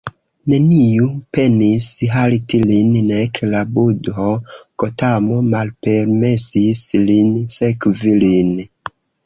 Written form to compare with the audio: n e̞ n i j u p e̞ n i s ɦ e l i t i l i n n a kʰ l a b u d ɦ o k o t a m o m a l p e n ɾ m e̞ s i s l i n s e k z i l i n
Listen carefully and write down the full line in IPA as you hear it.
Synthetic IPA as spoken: n e̞ n i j u p e̞ n i s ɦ a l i t i l i n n e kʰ l a b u d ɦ o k o t a m o m a l p e ɾ m e̞ s i s l i n s e k v i l i n